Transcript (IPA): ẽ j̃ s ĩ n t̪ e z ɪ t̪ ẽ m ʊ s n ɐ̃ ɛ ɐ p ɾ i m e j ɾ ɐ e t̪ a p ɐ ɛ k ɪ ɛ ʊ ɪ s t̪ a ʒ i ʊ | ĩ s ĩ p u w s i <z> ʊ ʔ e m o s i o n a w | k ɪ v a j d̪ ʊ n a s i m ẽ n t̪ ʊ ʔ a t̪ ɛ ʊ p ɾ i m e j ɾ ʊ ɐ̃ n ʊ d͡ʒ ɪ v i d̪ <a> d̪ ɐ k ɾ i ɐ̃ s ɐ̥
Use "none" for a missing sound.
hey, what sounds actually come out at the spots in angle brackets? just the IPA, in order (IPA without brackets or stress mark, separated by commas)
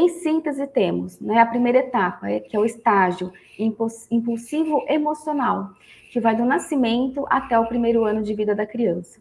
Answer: v, ɐ